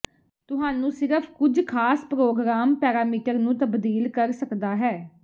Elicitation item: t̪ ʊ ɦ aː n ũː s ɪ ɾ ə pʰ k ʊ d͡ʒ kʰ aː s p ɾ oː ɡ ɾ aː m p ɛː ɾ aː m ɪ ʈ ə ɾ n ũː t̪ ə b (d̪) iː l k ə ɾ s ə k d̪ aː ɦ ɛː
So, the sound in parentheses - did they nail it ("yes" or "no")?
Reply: yes